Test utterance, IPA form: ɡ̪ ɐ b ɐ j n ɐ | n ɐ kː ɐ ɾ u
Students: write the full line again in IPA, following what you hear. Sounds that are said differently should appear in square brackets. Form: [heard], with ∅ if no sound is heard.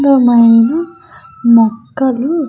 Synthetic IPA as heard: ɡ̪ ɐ [m] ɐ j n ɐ | [m] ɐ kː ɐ [l] u